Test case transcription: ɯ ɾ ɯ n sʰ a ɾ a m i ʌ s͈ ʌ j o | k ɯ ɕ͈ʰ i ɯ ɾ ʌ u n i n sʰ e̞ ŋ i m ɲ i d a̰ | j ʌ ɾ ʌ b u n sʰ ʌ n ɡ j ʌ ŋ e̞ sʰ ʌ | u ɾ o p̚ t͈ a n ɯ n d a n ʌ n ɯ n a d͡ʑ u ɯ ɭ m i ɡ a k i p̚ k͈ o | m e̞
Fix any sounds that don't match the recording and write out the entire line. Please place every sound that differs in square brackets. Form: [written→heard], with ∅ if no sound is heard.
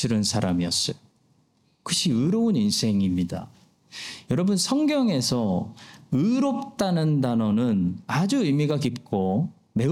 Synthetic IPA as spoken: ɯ ɾ ɯ n sʰ a ɾ a m i ʌ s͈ ʌ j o | k ɯ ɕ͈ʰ i ɯ ɾ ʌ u n i n sʰ e̞ ŋ i m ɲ i d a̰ | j ʌ ɾ ʌ b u n sʰ ʌ [n→ŋ] ɡ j ʌ ŋ e̞ sʰ ʌ | [u→ɯ] ɾ o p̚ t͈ a n ɯ n d a n ʌ n ɯ n a d͡ʑ u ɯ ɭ m i ɡ a k i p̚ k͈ o | m e̞